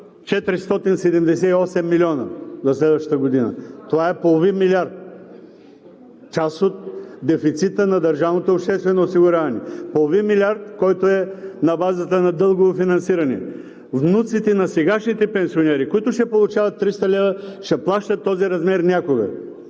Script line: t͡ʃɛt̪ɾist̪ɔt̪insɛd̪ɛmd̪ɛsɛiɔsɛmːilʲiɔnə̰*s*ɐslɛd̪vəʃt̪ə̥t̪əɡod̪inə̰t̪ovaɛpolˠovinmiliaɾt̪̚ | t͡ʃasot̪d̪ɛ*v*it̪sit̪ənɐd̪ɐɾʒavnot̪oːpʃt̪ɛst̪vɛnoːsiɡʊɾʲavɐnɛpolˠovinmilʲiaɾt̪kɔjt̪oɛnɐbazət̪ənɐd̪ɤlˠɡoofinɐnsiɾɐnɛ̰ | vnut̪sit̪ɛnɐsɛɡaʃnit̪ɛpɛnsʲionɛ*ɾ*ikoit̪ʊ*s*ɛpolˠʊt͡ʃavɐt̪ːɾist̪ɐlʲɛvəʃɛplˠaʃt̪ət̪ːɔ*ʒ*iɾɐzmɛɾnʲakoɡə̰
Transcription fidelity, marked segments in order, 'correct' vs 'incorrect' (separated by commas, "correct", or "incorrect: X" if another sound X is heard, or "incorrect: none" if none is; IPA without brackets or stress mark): incorrect: z, incorrect: f, correct, incorrect: ʃ, incorrect: z